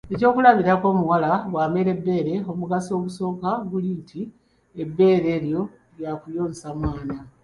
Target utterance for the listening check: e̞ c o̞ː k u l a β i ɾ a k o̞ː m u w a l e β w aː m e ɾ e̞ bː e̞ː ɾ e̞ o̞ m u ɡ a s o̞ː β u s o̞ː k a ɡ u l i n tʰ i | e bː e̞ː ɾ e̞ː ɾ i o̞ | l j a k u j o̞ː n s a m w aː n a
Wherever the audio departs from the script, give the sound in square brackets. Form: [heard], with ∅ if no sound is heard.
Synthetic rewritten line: e̞ c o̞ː k u l a β i ɾ a k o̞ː m u w a l [a] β w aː m e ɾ e̞ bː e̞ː ɾ e̞ o̞ m u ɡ a s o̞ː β u s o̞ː k a ɡ u l i n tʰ i | e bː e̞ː ɾ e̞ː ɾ [j] o̞ | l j a k u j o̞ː n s a m w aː n a

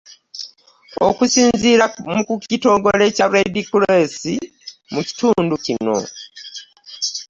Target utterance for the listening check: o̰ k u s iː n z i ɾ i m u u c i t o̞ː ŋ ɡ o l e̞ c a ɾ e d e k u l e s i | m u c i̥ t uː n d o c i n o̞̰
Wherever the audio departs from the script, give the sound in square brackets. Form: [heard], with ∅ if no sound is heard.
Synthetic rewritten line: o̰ k u s iː n z i ɾ [a] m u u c i t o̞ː ŋ ɡ o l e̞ c a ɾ e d [i] k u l e s i | m u c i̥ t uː n d [u] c i n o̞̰

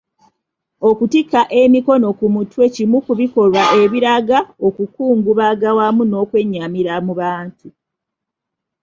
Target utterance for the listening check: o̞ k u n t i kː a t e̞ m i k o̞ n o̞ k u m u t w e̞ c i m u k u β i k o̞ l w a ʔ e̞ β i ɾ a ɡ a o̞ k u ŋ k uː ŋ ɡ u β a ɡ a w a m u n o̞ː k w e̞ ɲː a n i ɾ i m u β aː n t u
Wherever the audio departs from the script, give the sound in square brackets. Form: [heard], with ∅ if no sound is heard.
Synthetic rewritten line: o̞ k u [∅] t i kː a [ʔ] e̞ m i k o̞ n o̞ k u m u t w e̞ c i m u k u β i k o̞ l w a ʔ e̞ β i ɾ a ɡ a o̞ k u [∅] k uː ŋ ɡ u β a ɡ a w a m u n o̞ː k w e̞ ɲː a [m] i ɾ [a] m u β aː n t u

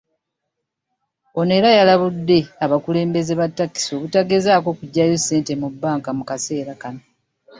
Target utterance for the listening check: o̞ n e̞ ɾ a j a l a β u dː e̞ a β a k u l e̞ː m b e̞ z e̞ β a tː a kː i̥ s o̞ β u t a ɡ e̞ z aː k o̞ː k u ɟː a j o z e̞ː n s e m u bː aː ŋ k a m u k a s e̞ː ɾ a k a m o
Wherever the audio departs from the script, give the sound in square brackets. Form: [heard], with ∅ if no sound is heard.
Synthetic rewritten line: o̞ n e̞ ɾ a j a l a β u dː e̞ a β a k u l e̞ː m b e̞ z e̞ β a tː a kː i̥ s o̞ β u t a ɡ e̞ z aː k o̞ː k u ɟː a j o [s] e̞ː n [t] e m u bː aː ŋ k a m u k a s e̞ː ɾ a k a [n] o

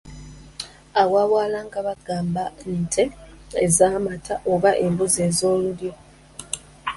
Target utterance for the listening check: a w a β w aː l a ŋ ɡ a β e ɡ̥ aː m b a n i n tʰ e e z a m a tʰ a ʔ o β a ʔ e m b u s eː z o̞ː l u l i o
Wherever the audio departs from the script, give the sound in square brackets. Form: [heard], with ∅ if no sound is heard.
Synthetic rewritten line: a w a β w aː l a ŋ ɡ a β [a] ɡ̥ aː m b a n i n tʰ e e z a m a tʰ a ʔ o β a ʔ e m b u [z] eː z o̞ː l u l [j] o

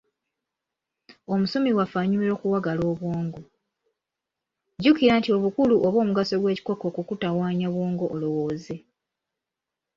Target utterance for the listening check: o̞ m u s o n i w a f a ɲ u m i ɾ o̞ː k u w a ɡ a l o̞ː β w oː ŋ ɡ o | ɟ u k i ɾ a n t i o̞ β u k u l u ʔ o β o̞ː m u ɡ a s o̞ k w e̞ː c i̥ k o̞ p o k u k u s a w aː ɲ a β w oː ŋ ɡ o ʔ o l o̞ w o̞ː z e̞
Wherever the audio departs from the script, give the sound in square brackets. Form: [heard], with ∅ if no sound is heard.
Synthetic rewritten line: o̞ m u s o [m] i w a f a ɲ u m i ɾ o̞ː k u w a ɡ a l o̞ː β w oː ŋ ɡ o | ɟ u k i ɾ a n t i o̞ β u k u l u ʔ o β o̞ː m u ɡ a s o̞ [ɡ] w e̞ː c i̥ k o̞ [k] o k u k u [t] a w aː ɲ a β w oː ŋ ɡ o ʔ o l o̞ w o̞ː z e̞

